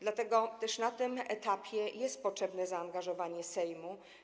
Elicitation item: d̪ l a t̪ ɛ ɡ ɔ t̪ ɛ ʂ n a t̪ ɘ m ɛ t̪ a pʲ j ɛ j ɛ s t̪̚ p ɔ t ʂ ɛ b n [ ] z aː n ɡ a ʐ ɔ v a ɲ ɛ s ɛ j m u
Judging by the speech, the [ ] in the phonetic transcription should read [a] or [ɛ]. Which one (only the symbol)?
ɛ